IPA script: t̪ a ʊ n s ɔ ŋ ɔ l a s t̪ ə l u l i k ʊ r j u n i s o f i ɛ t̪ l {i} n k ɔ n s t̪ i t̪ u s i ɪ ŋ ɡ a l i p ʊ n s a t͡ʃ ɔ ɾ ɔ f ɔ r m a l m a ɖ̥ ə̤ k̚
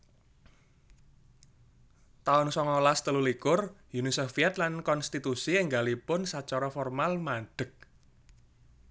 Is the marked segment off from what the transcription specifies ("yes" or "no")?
yes